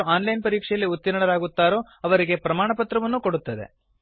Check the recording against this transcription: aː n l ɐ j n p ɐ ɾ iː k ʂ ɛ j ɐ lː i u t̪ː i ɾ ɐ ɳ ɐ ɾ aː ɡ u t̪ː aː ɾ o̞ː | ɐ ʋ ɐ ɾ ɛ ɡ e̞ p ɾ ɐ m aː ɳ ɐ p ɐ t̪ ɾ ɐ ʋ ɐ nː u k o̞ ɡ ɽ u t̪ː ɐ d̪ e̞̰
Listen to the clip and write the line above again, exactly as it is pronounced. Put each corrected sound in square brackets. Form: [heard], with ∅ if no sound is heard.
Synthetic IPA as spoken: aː n l ɐ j n p ɐ ɾ iː k ʂ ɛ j ɐ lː i u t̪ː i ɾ ɐ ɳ ɐ ɾ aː ɡ u t̪ː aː ɾ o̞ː | ɐ ʋ ɐ ɾ [i] ɡ e̞ p ɾ ɐ m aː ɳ ɐ p ɐ t̪ ɾ ɐ ʋ ɐ nː u k o̞ [∅] ɽ u t̪ː ɐ d̪ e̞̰